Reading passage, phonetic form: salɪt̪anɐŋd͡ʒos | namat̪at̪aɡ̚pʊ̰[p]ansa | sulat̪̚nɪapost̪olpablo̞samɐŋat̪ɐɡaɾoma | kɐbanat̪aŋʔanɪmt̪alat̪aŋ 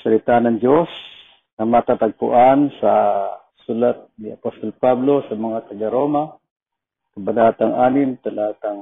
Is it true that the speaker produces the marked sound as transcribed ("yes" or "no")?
no